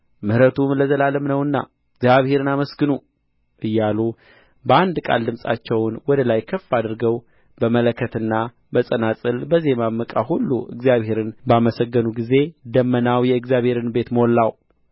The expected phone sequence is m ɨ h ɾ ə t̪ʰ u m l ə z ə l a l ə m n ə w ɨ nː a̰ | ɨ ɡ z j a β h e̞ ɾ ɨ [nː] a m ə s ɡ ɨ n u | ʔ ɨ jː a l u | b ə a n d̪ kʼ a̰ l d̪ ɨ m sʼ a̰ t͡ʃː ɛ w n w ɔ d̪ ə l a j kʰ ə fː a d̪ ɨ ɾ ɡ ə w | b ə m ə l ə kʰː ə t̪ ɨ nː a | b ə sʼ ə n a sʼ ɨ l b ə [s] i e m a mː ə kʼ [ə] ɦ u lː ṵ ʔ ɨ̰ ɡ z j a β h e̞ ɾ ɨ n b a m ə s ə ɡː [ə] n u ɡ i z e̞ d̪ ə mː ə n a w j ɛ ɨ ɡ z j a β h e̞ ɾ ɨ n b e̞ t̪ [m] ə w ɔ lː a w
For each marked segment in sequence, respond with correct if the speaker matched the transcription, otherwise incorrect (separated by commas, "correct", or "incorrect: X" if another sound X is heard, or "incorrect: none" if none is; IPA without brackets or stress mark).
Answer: incorrect: n, incorrect: z, incorrect: a, correct, correct